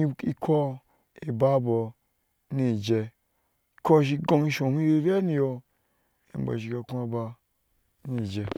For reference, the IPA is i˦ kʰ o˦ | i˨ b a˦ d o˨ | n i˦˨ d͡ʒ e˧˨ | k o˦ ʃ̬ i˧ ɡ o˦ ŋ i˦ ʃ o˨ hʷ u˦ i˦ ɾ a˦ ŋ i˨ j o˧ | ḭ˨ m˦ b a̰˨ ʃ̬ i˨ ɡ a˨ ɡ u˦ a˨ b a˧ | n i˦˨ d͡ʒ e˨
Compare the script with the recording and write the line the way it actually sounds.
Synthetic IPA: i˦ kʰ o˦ | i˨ b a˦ b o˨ | n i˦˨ d͡ʒ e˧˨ | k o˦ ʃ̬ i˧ ɡ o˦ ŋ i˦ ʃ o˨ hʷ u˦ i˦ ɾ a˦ n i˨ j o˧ | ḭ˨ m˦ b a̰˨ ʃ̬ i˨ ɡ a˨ k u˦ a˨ b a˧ | n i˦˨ d͡ʒ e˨